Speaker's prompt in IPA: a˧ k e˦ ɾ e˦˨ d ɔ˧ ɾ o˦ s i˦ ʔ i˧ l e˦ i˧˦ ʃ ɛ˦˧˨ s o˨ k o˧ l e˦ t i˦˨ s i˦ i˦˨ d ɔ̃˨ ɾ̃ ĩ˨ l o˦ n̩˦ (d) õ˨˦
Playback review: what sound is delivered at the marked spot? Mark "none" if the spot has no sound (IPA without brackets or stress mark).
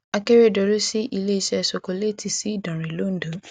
d